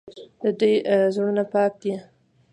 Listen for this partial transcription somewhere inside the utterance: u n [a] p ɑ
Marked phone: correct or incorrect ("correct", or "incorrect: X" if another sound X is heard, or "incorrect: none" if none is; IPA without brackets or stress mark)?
correct